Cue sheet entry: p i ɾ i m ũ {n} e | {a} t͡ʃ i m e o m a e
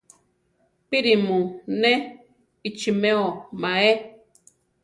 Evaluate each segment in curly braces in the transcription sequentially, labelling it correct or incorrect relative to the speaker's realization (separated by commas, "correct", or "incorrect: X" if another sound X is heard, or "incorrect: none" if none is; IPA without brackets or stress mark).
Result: correct, incorrect: i